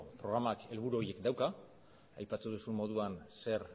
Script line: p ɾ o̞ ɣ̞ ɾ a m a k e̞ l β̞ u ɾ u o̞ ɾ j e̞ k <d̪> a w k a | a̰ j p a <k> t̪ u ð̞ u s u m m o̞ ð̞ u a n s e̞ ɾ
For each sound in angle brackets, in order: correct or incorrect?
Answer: correct, incorrect

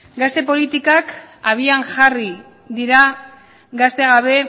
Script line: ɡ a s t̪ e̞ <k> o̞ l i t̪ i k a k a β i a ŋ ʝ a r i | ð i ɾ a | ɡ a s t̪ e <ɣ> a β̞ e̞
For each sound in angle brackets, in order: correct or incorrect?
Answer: incorrect, correct

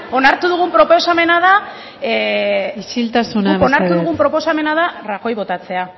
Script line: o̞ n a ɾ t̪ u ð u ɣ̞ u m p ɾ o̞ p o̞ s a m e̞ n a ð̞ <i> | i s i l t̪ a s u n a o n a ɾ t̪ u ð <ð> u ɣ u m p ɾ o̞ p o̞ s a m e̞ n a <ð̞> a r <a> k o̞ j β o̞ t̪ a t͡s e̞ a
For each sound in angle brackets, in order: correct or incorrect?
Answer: incorrect, correct, correct, correct

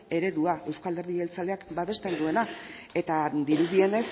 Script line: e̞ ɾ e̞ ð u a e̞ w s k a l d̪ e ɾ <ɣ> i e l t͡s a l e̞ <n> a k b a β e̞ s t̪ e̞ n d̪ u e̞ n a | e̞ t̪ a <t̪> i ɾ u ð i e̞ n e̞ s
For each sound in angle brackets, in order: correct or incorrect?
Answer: incorrect, incorrect, incorrect

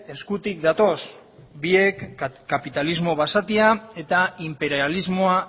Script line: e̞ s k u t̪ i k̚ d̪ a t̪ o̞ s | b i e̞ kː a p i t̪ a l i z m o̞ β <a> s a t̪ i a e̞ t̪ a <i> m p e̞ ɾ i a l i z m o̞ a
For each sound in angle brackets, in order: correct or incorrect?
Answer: correct, correct

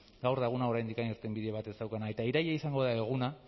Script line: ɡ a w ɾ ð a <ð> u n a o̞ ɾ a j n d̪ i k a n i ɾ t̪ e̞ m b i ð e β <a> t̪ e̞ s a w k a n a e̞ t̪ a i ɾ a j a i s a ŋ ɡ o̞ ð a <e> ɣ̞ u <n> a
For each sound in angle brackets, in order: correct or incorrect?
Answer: incorrect, correct, correct, correct

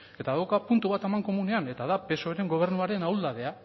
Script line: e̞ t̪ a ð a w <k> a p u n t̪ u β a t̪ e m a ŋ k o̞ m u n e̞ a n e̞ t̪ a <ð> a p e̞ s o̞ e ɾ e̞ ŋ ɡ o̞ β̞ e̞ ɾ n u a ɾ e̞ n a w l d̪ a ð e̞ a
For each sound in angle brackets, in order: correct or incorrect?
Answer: correct, correct

